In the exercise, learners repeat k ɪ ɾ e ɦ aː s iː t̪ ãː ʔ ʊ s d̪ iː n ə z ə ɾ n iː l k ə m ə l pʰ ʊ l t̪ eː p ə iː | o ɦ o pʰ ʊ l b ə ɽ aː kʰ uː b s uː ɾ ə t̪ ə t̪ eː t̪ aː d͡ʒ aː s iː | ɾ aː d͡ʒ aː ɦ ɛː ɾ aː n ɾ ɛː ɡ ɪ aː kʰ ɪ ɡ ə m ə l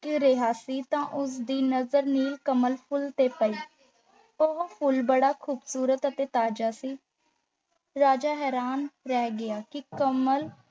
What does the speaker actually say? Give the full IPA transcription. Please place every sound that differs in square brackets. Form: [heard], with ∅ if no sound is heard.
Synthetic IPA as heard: k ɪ ɾ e ɦ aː s iː t̪ ãː ʔ ʊ s d̪ iː n ə z ə ɾ n iː l k ə m ə l pʰ ʊ l t̪ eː p ə iː | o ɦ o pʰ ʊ l b ə ɽ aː kʰ uː b s uː ɾ ə t̪ ə t̪ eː t̪ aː d͡ʒ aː s iː | ɾ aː d͡ʒ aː ɦ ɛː ɾ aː n ɾ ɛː ɡ ɪ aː [k] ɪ [k] ə m ə l